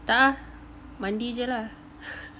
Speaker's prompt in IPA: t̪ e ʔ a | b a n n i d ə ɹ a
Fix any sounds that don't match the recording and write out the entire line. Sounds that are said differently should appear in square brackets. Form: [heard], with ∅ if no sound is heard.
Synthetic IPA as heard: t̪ [a] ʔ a | [m] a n [d] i [d͡ʒ] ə [l] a